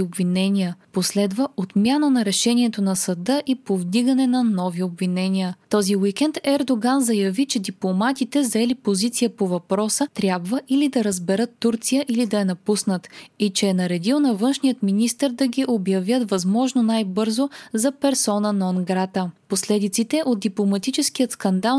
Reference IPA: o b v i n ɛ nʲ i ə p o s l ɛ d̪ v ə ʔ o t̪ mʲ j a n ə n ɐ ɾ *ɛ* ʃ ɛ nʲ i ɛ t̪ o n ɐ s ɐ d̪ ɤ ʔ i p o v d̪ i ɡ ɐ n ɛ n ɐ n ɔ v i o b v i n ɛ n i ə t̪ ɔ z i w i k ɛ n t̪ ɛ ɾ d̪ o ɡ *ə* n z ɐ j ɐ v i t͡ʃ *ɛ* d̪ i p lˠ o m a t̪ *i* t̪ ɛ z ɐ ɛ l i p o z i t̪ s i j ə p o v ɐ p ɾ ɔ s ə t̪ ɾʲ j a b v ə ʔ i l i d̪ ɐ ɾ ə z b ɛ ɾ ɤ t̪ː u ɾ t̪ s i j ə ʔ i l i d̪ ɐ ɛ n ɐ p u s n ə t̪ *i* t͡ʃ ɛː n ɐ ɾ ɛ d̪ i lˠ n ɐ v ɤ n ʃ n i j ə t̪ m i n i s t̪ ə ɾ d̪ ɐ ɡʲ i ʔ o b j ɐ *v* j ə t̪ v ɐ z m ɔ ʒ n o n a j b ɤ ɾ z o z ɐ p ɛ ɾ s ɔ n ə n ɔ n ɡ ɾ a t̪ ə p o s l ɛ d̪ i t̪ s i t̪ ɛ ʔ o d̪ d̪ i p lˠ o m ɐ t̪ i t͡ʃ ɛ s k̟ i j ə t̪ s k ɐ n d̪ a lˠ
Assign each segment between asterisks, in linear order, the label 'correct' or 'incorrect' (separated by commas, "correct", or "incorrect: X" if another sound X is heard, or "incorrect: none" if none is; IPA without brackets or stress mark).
correct, incorrect: a, correct, correct, correct, correct